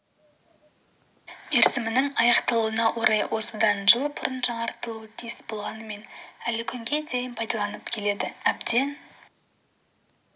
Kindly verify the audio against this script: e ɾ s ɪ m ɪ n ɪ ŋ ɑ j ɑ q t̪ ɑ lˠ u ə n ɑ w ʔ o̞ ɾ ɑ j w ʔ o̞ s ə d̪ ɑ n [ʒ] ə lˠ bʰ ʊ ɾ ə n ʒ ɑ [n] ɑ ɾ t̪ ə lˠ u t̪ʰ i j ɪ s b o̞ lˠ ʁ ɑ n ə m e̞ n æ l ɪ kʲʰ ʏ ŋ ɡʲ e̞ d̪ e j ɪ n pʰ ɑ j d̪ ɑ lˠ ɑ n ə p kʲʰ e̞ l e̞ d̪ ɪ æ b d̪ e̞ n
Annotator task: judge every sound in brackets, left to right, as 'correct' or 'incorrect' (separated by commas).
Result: correct, incorrect